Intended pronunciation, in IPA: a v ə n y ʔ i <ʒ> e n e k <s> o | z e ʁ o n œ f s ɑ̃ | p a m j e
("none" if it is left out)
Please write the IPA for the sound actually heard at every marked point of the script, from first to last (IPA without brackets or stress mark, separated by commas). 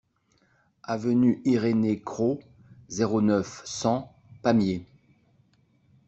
ʁ, χ